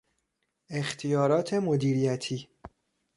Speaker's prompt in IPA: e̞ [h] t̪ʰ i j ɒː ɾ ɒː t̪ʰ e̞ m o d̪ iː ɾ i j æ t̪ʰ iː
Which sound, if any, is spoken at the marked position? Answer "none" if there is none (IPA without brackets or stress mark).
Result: x